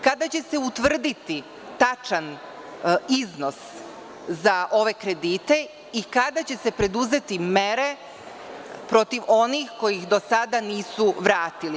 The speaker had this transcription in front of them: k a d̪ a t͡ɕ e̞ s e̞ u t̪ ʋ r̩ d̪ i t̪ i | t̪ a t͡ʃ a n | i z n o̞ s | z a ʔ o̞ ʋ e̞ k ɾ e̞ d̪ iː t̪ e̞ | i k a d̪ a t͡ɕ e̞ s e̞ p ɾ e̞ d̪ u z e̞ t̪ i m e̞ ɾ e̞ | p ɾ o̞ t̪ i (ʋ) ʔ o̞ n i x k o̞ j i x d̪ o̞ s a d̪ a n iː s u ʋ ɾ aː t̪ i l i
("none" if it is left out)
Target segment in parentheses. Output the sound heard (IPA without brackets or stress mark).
ʋ